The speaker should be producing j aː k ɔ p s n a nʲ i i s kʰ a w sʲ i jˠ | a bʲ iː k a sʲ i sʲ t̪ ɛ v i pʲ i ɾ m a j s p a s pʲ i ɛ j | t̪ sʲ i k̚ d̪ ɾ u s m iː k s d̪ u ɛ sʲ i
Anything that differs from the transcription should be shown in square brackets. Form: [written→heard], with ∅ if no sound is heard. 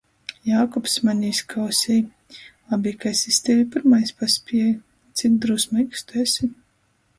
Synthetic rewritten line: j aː k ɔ p s [n→m] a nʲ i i s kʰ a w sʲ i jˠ | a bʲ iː k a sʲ i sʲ t̪ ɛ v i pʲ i ɾ m a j s p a s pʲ i ɛ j | t̪ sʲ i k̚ d̪ ɾ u s m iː k s [d̪→t̪] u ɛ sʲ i